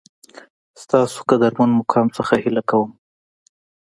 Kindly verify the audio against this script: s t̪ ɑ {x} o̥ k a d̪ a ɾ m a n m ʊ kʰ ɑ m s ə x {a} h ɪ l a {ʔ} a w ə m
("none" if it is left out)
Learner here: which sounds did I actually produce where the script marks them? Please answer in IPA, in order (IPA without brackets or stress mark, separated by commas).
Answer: s, a, k